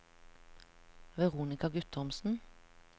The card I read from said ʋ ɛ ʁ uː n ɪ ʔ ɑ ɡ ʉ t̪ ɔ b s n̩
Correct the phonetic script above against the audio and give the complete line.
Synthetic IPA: ʋ ɛ ʁ uː n ɪ k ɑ ɡ ʉ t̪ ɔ m s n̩